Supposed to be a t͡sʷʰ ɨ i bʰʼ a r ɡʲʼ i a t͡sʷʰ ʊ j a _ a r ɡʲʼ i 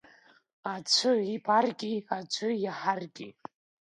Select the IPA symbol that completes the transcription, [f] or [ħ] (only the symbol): ħ